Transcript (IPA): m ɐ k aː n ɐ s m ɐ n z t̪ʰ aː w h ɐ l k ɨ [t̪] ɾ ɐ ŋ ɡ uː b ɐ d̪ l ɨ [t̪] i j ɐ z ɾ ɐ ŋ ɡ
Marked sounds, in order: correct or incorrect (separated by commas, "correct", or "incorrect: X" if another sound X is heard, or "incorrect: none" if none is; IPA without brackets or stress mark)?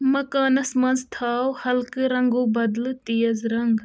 incorrect: none, correct